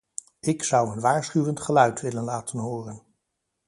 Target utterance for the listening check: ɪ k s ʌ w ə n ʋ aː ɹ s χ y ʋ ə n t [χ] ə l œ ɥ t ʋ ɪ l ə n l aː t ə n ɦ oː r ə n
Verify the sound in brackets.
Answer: correct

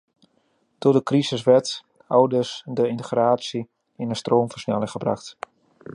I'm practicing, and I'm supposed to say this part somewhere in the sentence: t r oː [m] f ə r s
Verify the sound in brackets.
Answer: correct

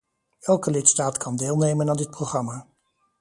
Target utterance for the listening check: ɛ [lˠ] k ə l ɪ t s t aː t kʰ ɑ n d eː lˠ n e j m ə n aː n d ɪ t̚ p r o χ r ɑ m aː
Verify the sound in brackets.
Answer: correct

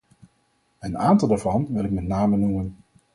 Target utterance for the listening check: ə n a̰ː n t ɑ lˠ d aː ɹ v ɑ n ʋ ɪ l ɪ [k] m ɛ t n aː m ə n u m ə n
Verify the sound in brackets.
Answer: correct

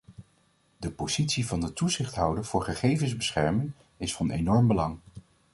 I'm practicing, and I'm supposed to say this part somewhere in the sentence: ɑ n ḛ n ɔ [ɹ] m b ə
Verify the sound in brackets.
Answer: correct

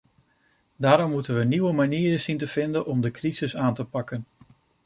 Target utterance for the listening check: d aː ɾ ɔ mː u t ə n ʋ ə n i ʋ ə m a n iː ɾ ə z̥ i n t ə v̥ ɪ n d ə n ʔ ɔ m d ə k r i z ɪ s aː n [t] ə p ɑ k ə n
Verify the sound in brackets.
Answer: correct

